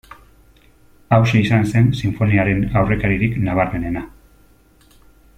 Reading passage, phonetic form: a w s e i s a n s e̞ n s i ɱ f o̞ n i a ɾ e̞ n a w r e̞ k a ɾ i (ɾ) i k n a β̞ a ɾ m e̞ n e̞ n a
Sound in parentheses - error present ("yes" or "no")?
no